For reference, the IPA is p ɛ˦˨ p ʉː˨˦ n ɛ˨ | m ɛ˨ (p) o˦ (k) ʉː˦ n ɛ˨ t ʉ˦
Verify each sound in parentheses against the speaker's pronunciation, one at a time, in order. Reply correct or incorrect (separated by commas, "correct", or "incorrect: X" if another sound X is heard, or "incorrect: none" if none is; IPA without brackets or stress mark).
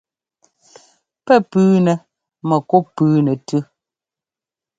incorrect: k, incorrect: p